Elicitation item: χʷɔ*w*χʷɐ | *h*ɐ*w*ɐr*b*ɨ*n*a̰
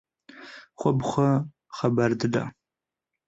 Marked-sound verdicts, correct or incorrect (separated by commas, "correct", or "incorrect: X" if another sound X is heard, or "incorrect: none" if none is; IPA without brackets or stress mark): incorrect: b, incorrect: χ, incorrect: b, incorrect: d, incorrect: d